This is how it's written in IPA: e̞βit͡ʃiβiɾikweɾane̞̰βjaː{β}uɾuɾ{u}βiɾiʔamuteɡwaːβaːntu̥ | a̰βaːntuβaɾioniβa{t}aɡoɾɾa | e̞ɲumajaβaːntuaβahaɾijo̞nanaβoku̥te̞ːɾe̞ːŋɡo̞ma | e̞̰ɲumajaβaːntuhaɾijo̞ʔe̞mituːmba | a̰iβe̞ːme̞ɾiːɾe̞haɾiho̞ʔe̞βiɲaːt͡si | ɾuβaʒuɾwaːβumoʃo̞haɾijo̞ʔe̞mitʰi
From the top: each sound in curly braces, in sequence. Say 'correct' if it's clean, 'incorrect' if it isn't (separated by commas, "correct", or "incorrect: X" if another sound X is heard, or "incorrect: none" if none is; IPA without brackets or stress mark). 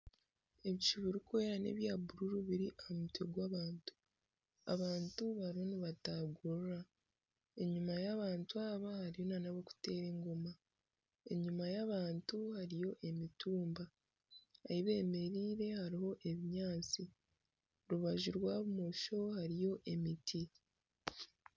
incorrect: b, correct, correct